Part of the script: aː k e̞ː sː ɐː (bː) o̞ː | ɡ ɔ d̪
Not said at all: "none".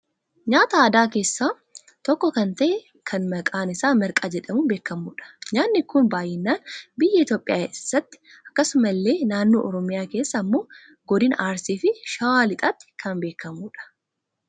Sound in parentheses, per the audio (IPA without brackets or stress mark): mː